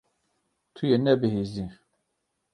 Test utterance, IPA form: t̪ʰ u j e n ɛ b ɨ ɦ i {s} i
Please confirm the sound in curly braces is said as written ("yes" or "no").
no